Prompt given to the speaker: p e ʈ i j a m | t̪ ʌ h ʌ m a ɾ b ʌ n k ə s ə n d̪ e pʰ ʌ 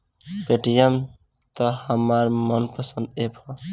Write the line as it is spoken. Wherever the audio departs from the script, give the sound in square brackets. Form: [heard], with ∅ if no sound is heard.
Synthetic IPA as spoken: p e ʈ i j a m | t̪ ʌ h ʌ m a ɾ [m] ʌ n [p] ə s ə n d̪ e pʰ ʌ